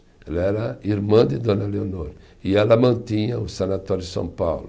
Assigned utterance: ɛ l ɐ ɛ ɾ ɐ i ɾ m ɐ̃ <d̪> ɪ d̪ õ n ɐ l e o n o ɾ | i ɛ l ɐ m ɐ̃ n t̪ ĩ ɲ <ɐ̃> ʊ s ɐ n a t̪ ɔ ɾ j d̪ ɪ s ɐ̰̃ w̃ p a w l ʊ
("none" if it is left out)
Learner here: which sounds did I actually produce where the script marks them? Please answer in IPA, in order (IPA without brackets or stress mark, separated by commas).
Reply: d̪, ɐ